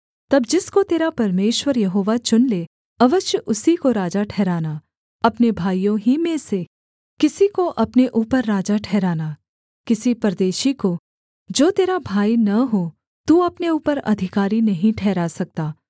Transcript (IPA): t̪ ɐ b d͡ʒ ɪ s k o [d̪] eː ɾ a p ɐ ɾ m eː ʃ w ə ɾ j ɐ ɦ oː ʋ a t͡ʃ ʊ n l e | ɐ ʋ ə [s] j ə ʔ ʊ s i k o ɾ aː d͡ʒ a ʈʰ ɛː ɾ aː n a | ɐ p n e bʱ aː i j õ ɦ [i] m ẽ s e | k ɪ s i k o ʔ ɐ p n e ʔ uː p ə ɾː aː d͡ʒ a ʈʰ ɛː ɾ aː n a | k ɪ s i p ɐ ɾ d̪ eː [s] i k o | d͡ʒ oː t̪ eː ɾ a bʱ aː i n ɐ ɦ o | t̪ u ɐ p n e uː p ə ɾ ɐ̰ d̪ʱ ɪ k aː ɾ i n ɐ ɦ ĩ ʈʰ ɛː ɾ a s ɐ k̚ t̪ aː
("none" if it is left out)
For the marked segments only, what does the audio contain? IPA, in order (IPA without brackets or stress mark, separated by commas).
t̪, ʃ, i, ʃ